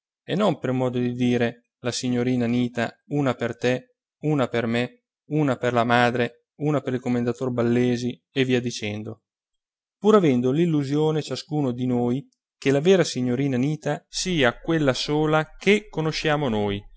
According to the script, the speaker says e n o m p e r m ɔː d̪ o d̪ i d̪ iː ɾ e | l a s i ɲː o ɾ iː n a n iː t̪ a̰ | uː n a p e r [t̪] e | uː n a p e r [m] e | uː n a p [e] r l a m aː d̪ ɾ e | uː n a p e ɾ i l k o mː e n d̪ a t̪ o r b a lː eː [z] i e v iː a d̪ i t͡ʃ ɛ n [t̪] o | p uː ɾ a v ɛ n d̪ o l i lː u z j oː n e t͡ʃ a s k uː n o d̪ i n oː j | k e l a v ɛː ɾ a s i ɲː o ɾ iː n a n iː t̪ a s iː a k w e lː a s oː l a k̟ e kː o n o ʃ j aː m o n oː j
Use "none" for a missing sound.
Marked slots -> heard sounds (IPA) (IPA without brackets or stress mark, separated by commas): t̪, m, e, z, d̪